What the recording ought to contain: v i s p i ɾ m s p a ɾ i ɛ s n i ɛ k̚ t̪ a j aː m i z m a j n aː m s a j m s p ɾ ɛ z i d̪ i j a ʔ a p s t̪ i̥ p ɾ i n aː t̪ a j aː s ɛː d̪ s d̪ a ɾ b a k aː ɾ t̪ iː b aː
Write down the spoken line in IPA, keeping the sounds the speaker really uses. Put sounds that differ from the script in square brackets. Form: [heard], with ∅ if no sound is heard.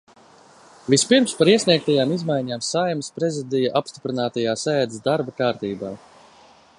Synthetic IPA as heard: v i s p i ɾ m s p a ɾ i ɛ s n i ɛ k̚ t̪ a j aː m i z m a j [ɲ] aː m s a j m s p ɾ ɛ z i d̪ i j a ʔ a p s t̪ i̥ p ɾ i n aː t̪ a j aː s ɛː d̪ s d̪ a ɾ b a k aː ɾ t̪ iː b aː